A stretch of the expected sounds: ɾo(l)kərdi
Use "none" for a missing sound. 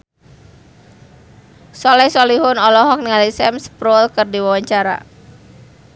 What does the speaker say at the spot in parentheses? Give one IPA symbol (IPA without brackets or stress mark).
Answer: l